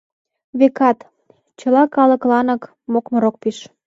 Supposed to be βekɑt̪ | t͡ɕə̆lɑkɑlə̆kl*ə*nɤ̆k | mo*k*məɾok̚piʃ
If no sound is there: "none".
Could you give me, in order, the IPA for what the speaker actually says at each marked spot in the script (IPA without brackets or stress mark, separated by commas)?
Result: ɑ, k